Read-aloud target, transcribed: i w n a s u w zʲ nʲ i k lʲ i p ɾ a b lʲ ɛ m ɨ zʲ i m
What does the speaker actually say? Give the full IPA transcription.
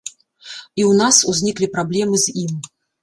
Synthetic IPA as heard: i w n a s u zʲ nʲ i k lʲ i p ɾ a b lʲ ɛ m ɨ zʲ i m